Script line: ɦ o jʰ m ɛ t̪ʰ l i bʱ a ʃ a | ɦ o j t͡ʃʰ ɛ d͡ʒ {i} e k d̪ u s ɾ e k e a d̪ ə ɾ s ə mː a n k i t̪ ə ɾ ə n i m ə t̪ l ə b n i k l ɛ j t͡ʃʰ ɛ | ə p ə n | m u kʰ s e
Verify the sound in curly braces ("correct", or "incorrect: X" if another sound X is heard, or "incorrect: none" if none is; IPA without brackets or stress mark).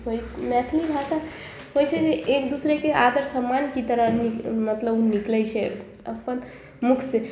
incorrect: e